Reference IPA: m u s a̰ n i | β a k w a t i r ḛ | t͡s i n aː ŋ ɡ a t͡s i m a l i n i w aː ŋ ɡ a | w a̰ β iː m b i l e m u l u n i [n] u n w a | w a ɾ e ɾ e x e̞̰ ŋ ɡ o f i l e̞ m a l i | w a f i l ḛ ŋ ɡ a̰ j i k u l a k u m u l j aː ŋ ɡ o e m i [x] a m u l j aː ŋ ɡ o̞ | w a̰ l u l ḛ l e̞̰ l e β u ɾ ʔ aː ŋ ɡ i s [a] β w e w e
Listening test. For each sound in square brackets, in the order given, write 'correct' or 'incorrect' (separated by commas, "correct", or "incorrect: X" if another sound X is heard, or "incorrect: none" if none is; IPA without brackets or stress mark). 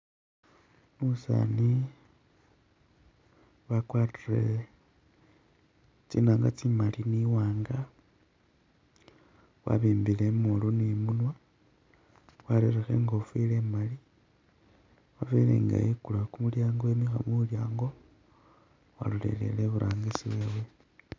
incorrect: m, correct, incorrect: i